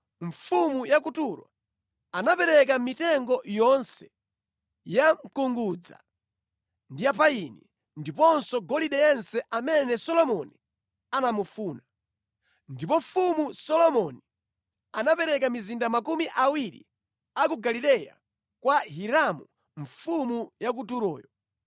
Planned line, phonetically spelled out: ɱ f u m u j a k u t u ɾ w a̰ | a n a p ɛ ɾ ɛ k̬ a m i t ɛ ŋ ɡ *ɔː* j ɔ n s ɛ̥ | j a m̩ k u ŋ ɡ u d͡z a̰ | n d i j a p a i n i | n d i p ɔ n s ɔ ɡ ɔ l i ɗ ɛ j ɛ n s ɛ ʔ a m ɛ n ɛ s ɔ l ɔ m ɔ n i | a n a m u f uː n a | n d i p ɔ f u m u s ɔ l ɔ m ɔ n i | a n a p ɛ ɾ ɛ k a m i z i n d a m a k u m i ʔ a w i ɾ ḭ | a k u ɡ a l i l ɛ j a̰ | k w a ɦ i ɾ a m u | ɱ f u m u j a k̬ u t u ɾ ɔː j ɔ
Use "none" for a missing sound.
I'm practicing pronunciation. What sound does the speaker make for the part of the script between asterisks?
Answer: ɔ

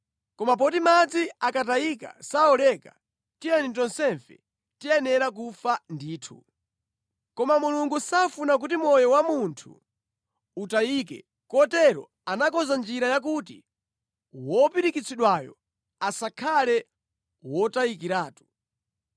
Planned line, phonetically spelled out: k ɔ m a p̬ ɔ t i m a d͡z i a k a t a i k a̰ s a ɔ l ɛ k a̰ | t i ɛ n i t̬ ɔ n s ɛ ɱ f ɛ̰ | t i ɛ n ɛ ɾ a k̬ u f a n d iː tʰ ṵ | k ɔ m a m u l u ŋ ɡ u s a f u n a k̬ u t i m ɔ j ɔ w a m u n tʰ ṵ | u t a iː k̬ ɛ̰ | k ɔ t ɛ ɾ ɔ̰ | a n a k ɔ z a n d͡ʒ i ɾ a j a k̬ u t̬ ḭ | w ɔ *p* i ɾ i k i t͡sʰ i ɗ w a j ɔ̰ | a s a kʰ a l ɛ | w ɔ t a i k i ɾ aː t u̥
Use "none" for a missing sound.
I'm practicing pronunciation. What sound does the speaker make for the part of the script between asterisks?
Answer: p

